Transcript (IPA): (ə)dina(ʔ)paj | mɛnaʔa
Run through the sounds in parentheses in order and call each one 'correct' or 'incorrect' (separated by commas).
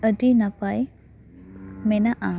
correct, incorrect